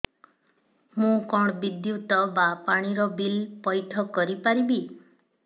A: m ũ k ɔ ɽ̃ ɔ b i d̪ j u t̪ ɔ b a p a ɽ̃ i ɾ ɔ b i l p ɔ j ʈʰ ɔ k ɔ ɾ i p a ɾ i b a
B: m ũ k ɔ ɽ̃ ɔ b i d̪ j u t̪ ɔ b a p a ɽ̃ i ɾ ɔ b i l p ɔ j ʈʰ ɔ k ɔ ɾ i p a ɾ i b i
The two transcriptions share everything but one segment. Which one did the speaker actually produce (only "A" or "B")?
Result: B